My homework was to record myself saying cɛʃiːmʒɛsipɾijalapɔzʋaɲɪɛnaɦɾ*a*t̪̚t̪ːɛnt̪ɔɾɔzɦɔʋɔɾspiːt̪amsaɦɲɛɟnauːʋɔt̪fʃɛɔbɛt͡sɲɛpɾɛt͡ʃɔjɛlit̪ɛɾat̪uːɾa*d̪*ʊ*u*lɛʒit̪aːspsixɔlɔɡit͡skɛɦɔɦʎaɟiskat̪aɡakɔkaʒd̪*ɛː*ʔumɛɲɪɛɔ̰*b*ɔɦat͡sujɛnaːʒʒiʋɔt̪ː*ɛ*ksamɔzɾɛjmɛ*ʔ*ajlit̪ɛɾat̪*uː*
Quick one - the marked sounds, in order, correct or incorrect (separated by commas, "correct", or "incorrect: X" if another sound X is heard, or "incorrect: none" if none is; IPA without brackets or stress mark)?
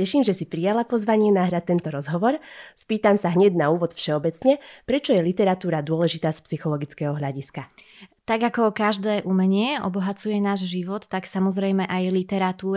correct, correct, incorrect: ɔ, correct, correct, incorrect: a, correct, correct